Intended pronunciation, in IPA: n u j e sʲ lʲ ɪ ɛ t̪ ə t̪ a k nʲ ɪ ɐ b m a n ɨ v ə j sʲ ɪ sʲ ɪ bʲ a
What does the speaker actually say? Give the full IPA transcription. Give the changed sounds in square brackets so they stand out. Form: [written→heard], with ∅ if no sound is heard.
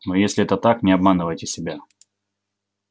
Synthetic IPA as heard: n [u→o] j e sʲ lʲ ɪ ɛ t̪ ə t̪ a k nʲ ɪ ɐ b m a n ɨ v ə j [sʲ→tʲ] ɪ sʲ ɪ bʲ a